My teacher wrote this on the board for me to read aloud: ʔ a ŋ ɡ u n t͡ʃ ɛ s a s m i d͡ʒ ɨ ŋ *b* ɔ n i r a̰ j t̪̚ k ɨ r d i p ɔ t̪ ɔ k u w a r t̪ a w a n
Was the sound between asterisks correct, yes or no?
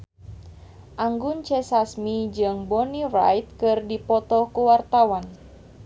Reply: yes